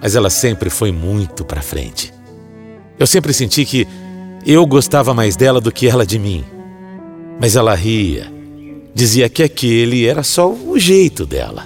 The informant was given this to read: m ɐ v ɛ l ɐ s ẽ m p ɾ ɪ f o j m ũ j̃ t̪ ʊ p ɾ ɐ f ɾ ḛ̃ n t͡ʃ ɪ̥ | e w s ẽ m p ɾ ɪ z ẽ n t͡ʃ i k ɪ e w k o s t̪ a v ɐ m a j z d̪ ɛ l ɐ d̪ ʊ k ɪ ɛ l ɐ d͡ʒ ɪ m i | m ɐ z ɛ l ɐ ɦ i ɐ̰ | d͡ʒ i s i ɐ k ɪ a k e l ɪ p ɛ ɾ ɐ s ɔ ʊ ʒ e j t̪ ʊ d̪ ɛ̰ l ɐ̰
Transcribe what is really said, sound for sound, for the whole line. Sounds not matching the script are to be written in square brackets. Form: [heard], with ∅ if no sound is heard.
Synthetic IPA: m ɐ [z] ɛ l ɐ s ẽ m p ɾ ɪ f o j m ũ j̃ t̪ ʊ p ɾ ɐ f ɾ ḛ̃ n t͡ʃ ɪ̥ | e w s ẽ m p ɾ ɪ [s] ẽ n t͡ʃ i k ɪ e w [ɡ] o s t̪ a v ɐ m a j z d̪ ɛ l ɐ d̪ ʊ k ɪ ɛ l ɐ d͡ʒ ɪ m [ĩ] | m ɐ z ɛ l ɐ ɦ i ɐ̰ | d͡ʒ i [z] i ɐ k ɪ a k e l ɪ [∅] ɛ ɾ ɐ s ɔ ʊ ʒ e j t̪ ʊ d̪ ɛ̰ l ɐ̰